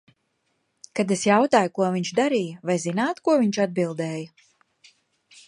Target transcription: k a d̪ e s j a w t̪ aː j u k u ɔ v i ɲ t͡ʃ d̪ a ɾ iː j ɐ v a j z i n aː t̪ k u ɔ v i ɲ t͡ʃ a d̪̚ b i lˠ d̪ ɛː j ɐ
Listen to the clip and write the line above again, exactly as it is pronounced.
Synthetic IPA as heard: k a d̪ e s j a w t̪ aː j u k u ɔ v i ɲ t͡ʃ d̪ a ɾ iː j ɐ v a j z i n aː t̪ k u ɔ v i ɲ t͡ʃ a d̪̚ b i lˠ d̪ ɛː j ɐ